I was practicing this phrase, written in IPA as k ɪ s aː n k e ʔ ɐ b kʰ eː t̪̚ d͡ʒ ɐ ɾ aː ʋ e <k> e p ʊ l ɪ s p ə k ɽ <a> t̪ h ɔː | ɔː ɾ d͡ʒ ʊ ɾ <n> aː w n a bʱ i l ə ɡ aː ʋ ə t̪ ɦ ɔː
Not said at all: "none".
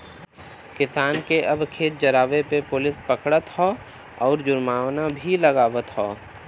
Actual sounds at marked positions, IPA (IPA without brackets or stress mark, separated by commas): p, ə, m